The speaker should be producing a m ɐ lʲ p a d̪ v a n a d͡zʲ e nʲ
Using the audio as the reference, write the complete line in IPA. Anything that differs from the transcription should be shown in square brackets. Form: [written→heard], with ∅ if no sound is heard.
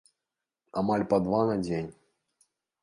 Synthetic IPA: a m [ɐ→a] lʲ p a d̪ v a n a d͡zʲ e nʲ